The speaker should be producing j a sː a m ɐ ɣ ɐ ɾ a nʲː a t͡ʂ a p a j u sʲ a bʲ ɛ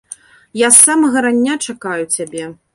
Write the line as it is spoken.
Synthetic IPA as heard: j a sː a m ɐ ɣ ɐ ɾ a nʲː a t͡ʂ a k a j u t͡sʲ a bʲ ɛ